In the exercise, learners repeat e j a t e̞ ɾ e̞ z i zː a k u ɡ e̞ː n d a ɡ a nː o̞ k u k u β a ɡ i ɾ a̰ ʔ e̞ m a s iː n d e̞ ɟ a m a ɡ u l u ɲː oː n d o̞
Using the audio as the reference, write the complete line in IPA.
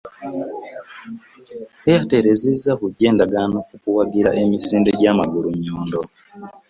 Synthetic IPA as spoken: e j a t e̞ ɾ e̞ z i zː a k u ɟ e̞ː n d a ɡ a n o̞ k u k u w a ɡ i ɾ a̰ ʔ e̞ m i s iː n d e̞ ɟ a m a ɡ u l u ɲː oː n d o̞